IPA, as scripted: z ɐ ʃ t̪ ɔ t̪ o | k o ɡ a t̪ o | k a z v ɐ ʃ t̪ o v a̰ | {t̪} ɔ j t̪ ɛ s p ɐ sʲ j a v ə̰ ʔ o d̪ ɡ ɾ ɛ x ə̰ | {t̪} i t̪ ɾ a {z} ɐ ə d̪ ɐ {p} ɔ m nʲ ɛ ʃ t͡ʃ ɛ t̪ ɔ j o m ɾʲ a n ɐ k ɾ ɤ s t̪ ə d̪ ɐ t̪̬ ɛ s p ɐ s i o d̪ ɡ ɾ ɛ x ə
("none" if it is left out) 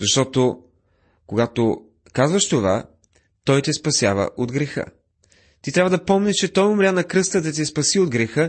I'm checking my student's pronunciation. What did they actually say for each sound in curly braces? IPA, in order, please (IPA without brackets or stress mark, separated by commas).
t̪, t̪, v, p